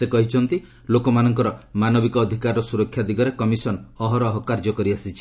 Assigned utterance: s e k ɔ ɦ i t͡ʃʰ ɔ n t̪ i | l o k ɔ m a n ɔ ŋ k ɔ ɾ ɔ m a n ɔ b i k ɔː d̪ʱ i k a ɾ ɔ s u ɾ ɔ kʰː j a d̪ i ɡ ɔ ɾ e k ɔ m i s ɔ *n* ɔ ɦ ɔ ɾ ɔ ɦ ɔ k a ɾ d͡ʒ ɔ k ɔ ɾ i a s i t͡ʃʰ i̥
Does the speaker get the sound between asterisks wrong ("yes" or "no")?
no